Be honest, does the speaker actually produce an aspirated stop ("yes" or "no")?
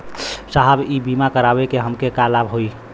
no